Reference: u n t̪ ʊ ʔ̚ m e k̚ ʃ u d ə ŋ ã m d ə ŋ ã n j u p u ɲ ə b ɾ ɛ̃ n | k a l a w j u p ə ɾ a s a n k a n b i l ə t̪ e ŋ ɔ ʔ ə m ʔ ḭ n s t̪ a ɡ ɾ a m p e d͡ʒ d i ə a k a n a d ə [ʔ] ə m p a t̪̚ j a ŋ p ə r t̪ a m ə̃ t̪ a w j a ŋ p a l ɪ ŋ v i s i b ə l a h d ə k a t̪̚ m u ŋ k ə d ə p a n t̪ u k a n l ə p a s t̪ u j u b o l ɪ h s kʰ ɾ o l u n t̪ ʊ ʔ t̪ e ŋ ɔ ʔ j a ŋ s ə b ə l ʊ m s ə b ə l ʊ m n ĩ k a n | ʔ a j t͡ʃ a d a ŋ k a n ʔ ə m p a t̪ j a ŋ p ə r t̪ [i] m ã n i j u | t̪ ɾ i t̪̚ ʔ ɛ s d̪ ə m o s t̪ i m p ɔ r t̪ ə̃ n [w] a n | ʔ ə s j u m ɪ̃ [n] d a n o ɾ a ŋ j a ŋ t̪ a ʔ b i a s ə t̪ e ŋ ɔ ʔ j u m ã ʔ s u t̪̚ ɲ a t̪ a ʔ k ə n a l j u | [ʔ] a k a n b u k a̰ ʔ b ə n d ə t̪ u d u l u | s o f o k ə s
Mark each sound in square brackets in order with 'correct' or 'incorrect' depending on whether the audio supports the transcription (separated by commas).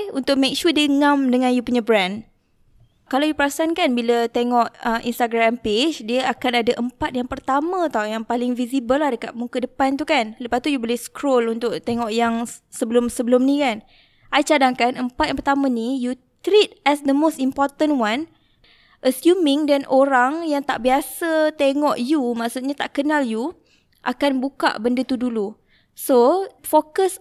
correct, incorrect, correct, incorrect, correct